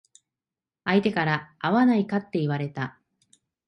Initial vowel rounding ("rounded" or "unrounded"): unrounded